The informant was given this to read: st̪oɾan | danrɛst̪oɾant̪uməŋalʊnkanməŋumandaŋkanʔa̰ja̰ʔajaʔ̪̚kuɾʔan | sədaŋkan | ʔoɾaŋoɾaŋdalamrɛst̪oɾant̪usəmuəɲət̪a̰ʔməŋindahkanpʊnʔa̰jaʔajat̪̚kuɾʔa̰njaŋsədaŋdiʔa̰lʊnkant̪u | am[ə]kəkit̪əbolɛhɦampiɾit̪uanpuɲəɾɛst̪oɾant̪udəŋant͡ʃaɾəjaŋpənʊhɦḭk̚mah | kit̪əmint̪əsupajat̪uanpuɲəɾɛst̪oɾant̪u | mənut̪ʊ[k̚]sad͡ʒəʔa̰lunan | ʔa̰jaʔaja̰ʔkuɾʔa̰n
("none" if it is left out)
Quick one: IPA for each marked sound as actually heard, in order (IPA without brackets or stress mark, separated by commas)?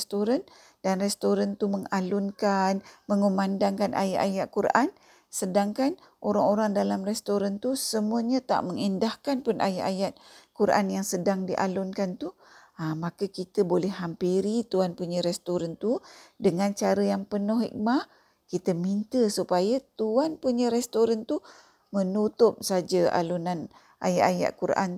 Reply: a, p̚